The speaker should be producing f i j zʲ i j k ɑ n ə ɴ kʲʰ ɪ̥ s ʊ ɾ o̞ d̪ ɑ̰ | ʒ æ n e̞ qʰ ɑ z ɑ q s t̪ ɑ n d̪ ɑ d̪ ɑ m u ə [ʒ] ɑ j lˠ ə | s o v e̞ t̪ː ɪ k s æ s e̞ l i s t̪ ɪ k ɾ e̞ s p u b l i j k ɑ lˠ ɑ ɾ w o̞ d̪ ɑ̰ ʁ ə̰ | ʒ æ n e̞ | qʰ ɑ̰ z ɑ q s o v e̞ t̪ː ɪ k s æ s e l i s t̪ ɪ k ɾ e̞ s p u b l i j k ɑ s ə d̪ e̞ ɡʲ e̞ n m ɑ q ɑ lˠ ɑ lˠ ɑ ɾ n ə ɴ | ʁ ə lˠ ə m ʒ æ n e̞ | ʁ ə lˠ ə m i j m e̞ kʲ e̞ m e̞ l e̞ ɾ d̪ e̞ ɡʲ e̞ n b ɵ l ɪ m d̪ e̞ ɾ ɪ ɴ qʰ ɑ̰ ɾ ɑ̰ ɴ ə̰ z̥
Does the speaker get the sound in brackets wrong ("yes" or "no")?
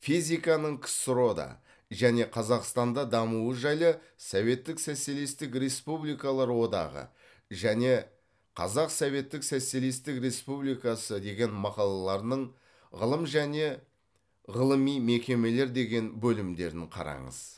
no